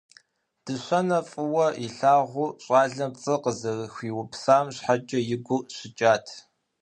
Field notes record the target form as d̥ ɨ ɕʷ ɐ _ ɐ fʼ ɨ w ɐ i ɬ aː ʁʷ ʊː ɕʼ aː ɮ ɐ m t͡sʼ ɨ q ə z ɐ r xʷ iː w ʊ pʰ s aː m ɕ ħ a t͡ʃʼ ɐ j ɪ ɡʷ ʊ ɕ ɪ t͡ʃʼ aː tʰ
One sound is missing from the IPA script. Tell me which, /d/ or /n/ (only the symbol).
n